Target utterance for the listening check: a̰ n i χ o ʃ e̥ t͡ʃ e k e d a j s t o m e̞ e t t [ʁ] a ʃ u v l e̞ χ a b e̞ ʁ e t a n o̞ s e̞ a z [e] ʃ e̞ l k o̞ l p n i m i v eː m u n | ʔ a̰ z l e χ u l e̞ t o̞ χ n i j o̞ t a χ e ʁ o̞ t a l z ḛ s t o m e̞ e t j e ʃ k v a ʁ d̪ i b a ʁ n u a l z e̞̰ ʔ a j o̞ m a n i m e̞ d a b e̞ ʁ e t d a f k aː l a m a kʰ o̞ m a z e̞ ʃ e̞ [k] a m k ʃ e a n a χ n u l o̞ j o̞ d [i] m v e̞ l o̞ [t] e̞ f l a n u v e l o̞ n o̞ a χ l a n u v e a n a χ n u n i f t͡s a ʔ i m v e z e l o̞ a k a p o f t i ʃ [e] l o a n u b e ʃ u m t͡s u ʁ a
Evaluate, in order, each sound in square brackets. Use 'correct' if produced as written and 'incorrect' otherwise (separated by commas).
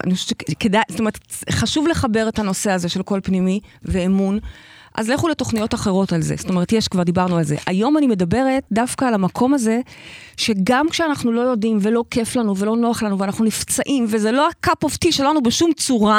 incorrect, correct, incorrect, correct, incorrect, correct